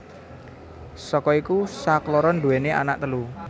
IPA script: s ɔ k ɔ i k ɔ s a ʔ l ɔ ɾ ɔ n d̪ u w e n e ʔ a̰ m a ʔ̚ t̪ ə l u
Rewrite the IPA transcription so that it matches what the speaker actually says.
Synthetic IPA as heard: s ɔ k ɔ i k u s a k l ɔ ɾ ɔ n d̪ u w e n e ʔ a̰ n a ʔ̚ t̪ ə l u

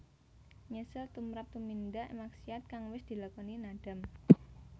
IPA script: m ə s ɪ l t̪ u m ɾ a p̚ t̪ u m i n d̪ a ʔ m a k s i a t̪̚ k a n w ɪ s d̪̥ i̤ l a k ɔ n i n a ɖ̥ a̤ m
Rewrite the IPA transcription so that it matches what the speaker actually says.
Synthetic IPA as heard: ɲ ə s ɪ l t̪ u m ɾ a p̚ t̪ u m i n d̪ a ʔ m a k s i a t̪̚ k a ŋ w ɪ s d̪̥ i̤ l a k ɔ n i n a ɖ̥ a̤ m

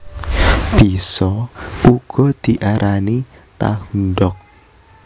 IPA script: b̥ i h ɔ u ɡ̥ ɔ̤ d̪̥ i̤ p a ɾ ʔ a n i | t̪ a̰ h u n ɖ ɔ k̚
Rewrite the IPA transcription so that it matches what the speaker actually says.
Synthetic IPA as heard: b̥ i s ɔ u ɡ̥ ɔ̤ d̪̥ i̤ ʔ a ɾ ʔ a n i | t̪ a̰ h u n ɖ ɔ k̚

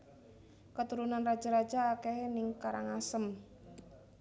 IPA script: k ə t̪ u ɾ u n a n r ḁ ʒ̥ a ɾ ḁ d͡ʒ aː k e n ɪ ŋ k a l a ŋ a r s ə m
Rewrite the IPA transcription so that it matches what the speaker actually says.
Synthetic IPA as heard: k ə t̪ u ɾ u n a n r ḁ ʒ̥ a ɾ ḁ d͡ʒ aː k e n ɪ ŋ k a ɾ a ŋ a s ə m

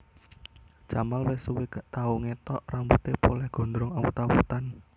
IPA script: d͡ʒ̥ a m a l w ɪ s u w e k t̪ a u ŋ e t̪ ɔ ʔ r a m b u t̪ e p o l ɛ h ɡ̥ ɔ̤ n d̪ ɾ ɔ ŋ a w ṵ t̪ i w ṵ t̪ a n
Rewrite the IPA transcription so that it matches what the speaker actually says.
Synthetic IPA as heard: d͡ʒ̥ a m a l w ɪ s u w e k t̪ a u ŋ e t̪ ɔ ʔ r a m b u t̪ e p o l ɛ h ɡ̥ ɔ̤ n d̪ ɾ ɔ ŋ a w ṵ t̪ a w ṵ t̪ a n

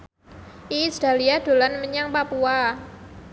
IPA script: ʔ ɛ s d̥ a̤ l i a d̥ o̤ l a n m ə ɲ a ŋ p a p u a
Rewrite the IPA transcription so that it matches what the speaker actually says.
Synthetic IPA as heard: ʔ i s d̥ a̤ l i a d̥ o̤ l a n m ə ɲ a ŋ p a p u a

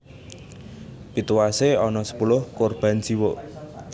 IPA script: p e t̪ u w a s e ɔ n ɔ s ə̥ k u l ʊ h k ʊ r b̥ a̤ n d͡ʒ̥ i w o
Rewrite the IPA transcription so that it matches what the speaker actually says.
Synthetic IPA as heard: p i t̪ u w a s e ɔ n ɔ s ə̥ p u l ʊ h k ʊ r b̥ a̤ n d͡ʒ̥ i w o

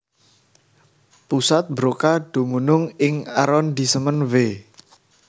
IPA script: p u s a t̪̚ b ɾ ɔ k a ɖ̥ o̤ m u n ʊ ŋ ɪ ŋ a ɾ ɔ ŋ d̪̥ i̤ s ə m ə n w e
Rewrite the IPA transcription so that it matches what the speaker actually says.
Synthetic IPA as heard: p u s a t̪̚ b ɾ o k a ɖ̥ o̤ m u n ʊ ŋ ɪ ŋ a ɾ ɔ n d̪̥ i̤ s ə m ə n w e

